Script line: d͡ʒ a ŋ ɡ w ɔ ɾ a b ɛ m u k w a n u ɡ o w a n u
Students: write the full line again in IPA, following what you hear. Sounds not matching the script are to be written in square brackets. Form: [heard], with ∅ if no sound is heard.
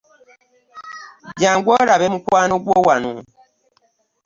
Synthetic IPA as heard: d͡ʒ a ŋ ɡ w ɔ ɾ a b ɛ m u k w a n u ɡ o w a n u